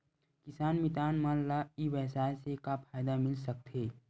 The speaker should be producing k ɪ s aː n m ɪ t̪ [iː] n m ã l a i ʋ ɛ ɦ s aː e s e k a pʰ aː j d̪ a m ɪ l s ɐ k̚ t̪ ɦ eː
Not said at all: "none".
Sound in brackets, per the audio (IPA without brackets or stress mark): aː